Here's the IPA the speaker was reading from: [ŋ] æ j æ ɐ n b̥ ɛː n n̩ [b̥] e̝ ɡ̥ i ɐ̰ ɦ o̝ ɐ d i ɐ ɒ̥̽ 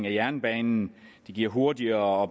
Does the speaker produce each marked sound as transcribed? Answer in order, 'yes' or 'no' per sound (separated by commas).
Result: yes, no